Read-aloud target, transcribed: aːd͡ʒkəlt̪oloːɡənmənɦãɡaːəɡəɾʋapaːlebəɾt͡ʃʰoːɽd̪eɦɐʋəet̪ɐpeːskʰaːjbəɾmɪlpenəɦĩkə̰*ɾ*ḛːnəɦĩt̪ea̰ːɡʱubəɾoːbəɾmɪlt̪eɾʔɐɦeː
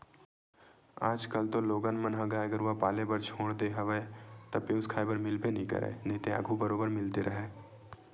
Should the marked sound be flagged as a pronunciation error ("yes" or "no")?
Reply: no